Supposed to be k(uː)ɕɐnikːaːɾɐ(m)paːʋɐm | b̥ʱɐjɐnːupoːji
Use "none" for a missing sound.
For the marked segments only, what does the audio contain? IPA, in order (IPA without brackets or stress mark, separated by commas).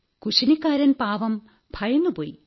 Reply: u, n